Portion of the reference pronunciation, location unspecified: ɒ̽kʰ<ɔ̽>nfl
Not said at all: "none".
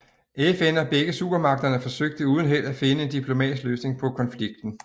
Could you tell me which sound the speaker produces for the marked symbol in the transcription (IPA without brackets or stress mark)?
ɒ̽